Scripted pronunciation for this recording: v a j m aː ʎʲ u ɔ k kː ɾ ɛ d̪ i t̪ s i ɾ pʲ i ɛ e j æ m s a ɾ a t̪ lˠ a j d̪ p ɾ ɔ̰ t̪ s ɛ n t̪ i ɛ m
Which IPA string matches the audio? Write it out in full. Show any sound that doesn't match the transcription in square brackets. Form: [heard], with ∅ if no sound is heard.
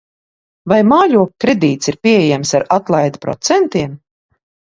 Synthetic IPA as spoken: v a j m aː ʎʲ u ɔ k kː ɾ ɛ d̪ [iː] t̪ s i ɾ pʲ i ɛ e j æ m s a ɾ a t̪ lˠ a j d̪ p ɾ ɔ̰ t̪ s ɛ n t̪ i ɛ m